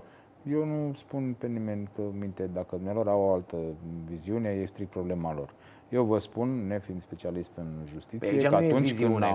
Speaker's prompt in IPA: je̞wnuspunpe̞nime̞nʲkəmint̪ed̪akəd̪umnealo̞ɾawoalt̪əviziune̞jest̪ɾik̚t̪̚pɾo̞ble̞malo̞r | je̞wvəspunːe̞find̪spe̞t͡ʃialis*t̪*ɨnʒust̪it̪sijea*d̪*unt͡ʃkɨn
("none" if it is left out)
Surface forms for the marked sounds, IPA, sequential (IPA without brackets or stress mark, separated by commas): t̪, t̪